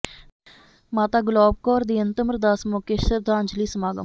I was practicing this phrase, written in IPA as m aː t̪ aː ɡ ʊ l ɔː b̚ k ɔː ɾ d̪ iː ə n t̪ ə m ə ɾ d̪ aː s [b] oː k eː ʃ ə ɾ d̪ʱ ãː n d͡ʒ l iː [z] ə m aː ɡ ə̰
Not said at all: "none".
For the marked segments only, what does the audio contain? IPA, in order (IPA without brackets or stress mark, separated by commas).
m, s